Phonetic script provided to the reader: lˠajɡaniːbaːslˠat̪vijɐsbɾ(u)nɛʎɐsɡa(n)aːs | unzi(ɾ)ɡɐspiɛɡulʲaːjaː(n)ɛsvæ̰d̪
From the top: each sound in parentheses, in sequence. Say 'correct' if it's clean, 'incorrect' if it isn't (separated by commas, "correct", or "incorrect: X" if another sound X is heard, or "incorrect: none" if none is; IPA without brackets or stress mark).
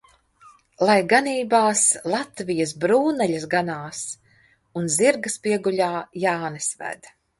incorrect: uː, correct, correct, correct